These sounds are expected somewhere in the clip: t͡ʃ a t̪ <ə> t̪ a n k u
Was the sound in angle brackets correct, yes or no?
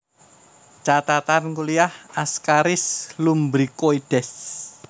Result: no